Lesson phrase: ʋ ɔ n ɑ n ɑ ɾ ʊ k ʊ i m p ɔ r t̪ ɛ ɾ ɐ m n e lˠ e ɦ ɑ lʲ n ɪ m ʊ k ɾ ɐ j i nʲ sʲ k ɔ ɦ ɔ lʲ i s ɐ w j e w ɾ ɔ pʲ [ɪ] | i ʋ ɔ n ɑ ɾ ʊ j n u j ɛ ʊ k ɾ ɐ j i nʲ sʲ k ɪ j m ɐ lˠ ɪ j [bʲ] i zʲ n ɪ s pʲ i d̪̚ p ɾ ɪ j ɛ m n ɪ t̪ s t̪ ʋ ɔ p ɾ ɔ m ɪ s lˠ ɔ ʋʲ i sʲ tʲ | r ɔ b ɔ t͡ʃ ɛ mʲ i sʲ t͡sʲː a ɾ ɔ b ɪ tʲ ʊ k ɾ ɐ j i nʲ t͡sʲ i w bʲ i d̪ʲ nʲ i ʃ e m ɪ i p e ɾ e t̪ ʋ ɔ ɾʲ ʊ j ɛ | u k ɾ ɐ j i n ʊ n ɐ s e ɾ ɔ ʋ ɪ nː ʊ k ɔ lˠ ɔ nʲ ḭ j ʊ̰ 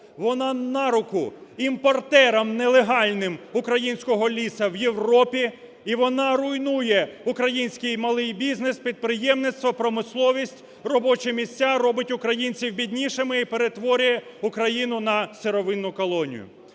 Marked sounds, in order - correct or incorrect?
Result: incorrect: i, correct

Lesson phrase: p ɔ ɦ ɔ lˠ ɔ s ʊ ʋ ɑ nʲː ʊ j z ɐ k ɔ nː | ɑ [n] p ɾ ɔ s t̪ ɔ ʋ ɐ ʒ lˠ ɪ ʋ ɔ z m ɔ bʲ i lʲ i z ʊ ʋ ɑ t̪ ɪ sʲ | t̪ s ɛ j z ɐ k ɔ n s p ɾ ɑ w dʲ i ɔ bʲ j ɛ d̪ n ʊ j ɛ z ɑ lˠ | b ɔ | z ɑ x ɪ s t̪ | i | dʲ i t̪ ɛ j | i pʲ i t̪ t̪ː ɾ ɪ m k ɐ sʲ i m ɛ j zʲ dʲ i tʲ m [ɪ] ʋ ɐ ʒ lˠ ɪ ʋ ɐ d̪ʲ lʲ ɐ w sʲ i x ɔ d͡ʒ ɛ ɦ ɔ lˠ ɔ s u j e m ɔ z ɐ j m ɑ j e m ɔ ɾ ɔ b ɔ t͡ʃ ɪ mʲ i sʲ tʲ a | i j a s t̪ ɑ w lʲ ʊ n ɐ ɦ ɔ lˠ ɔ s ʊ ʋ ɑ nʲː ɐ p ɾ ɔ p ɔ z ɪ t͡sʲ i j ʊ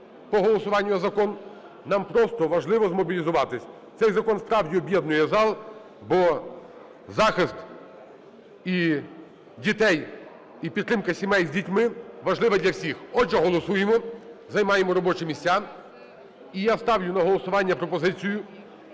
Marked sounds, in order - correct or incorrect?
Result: incorrect: m, correct

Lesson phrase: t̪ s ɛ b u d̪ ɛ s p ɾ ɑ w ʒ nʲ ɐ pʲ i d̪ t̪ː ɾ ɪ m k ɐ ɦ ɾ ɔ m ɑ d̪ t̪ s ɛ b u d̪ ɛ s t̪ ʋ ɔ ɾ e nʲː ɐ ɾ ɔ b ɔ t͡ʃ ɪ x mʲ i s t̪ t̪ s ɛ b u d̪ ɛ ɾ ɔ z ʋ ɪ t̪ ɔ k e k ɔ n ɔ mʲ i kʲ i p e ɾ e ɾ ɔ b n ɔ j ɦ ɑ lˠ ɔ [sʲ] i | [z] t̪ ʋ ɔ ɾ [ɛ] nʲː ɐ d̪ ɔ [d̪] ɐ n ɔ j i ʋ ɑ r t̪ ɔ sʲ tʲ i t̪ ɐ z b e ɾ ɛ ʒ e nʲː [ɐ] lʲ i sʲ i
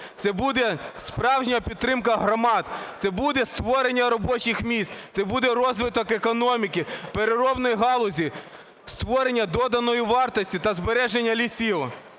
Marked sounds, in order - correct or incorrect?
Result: incorrect: zʲ, incorrect: s, incorrect: e, correct, correct

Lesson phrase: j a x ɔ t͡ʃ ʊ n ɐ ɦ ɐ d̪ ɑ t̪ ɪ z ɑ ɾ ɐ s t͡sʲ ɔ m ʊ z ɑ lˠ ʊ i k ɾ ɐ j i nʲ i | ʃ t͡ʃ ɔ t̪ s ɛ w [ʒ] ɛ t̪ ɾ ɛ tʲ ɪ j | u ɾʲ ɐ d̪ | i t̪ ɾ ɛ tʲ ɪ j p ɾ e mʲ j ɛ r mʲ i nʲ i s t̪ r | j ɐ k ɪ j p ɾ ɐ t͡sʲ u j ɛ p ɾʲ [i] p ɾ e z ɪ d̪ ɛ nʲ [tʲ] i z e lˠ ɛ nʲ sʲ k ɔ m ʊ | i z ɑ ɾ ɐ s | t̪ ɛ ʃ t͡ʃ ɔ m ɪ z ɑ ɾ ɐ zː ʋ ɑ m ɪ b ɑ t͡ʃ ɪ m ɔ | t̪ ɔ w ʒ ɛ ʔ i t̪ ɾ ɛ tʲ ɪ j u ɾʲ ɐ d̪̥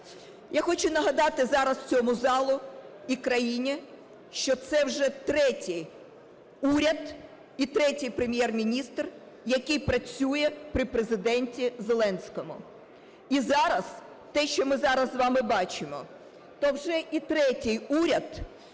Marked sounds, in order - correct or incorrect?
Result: correct, incorrect: ɪ, correct

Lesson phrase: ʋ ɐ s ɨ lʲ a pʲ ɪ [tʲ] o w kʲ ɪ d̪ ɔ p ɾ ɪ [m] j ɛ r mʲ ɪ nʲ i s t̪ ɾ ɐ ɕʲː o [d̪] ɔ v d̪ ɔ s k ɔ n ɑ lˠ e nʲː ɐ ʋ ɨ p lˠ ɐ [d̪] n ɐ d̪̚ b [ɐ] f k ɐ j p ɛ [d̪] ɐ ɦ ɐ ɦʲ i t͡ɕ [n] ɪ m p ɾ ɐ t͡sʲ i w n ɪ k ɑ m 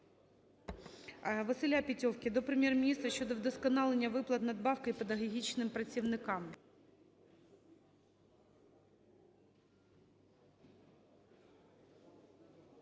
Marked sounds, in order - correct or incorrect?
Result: correct, correct, correct, incorrect: t̪, incorrect: ɑ, correct, correct

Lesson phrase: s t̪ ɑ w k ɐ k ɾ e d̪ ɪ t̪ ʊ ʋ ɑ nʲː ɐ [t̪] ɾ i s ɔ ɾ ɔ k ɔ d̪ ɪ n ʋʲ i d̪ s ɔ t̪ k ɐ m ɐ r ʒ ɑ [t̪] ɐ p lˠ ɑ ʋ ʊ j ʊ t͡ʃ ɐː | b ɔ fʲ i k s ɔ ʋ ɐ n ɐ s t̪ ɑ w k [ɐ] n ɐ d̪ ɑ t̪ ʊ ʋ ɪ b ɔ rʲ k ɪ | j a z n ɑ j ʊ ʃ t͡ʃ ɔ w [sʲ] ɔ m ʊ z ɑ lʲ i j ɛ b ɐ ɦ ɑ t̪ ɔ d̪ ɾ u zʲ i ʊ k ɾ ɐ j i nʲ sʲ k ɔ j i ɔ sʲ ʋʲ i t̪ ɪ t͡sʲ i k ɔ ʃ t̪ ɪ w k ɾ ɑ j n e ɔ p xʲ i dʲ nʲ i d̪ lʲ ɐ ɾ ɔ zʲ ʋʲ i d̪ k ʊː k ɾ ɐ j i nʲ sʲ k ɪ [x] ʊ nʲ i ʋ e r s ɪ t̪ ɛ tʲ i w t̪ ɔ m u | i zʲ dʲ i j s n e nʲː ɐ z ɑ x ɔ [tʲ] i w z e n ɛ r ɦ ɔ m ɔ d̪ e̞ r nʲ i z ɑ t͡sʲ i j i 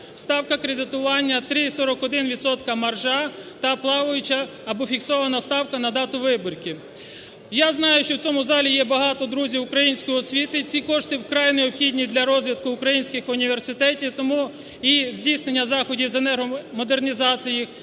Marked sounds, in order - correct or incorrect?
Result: correct, correct, correct, incorrect: t͡sʲ, correct, incorrect: dʲ

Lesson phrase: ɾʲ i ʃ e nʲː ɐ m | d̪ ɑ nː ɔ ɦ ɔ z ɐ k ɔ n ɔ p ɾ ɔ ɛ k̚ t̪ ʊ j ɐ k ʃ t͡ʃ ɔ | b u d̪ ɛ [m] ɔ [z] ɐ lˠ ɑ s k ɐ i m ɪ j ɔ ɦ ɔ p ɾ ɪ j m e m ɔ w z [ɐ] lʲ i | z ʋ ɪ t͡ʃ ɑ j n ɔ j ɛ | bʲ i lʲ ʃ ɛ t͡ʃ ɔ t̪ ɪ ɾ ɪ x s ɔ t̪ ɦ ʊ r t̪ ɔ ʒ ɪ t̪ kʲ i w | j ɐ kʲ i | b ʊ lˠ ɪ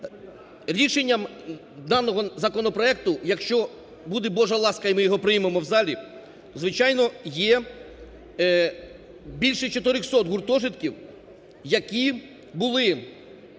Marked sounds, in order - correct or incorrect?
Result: incorrect: b, incorrect: ʒ, incorrect: ɑ

